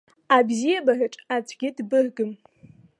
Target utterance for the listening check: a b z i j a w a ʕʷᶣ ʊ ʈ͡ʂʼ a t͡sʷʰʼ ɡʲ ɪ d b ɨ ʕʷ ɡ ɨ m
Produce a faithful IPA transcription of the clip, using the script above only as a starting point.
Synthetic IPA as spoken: a b z i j a b a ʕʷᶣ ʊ ʈ͡ʂʼ a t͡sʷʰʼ ɡʲ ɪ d b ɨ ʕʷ ɡ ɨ m